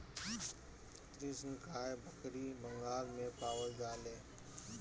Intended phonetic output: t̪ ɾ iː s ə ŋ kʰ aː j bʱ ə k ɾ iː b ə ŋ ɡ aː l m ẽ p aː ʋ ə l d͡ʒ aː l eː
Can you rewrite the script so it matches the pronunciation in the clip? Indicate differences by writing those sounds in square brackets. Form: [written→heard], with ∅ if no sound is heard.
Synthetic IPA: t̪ ɾ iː s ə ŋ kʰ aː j bʱ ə k ɾ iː b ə ŋ ɡ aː l m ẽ p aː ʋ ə l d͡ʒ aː l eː